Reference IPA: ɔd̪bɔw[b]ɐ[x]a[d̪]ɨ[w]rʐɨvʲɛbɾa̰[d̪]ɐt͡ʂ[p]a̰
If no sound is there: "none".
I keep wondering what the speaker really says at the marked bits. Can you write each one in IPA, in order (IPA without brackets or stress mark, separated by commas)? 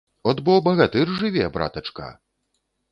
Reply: b, ɣ, t̪, none, t̪, k